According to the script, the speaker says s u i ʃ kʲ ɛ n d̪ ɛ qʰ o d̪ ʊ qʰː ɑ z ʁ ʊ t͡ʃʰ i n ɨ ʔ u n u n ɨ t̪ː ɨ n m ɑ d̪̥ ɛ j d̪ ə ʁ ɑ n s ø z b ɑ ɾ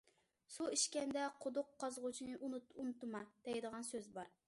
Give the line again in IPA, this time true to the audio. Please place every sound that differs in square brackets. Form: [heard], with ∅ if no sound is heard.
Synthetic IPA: s u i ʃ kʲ ɛ n d̪ ɛ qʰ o d̪ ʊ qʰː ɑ z ʁ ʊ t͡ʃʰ i n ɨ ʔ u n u n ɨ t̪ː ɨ [∅] m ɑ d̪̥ ɛ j d̪ ə ʁ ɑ n s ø z b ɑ ɾ